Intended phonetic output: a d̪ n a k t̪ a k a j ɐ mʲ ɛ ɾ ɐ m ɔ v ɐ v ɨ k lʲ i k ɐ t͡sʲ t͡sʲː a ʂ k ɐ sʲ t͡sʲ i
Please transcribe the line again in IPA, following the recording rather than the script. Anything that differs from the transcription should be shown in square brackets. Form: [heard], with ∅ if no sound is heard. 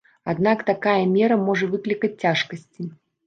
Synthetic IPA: a d̪ n a k t̪ a k a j ɐ mʲ ɛ ɾ ɐ m ɔ [ʐ] ɐ v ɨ k lʲ i k ɐ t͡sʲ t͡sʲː a ʂ k ɐ sʲ t͡sʲ i